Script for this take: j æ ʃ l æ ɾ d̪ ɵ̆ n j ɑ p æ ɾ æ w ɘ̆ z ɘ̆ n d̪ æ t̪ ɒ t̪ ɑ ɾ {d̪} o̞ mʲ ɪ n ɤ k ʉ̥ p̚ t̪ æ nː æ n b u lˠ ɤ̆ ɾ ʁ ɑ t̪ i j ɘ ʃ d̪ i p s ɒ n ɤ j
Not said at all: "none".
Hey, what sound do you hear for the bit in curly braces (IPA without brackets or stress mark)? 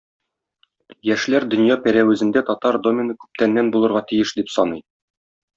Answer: d̪